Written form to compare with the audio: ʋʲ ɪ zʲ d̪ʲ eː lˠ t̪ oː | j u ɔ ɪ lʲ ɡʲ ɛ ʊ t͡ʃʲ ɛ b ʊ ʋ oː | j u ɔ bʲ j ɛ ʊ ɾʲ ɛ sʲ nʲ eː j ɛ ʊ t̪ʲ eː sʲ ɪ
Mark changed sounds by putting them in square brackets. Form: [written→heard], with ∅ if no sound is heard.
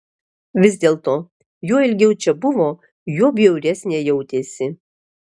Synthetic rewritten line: ʋʲ ɪ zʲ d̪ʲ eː lˠ t̪ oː | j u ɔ ɪ lʲ ɡʲ ɛ ʊ t͡ʃʲ ɛ b ʊ ʋ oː | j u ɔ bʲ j ɛ ʊ ɾʲ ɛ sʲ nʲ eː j ɛ ʊ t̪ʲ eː sʲ ɪ